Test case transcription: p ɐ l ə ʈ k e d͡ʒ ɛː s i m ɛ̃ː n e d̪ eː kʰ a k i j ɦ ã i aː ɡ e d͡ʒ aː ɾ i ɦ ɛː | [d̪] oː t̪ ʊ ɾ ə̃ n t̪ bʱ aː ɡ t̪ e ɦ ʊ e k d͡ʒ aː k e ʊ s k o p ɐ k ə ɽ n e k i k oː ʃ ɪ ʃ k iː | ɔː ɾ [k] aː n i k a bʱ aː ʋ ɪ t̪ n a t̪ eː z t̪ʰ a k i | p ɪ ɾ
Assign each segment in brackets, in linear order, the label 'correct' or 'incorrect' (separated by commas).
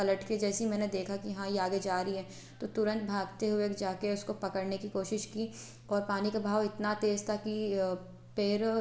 incorrect, incorrect